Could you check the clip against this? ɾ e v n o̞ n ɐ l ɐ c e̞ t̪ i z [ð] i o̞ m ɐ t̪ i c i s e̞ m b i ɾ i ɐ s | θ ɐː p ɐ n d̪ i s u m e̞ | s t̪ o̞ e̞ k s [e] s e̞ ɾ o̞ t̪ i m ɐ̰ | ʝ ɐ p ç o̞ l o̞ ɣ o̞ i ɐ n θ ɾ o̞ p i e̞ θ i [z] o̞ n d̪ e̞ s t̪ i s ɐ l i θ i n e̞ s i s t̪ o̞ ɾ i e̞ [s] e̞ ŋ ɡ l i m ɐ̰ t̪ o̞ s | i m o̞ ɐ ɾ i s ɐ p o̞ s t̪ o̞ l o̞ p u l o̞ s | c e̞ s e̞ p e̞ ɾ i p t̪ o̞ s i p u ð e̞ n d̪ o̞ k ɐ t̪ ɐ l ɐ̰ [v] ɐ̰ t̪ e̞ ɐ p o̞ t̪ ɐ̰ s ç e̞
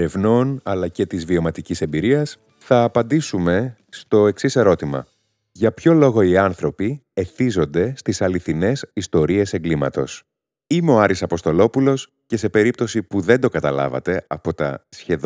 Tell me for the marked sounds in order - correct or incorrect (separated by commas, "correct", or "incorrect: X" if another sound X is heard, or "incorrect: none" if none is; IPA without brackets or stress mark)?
incorrect: v, incorrect: i, correct, correct, correct